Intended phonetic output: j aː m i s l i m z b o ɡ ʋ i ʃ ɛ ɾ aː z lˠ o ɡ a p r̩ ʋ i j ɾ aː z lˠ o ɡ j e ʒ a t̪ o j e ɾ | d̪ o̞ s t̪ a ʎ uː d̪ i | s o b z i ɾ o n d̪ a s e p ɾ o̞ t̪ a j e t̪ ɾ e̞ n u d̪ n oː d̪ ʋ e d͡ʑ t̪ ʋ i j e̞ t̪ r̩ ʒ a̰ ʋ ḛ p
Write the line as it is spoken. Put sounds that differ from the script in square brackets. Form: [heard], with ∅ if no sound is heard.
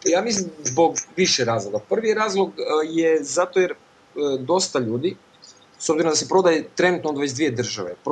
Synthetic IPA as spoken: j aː m i s l i m z b o ɡ ʋ i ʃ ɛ ɾ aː z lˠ o ɡ a p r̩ ʋ i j ɾ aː z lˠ o ɡ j e [z] a t̪ o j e ɾ | d̪ o̞ s t̪ a ʎ uː d̪ i | s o b z i ɾ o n d̪ a s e p ɾ o̞ [d̪] a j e t̪ ɾ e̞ n u [t̪] n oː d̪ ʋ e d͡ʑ [d̪] ʋ i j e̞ [d̪] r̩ ʒ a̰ ʋ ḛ p